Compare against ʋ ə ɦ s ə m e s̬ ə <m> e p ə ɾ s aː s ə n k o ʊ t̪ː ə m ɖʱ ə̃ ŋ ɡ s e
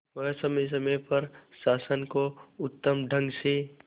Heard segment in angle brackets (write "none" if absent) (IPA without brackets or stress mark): m